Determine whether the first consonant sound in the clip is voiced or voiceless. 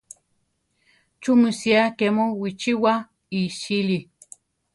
voiceless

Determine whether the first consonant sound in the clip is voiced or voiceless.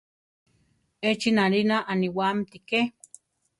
voiceless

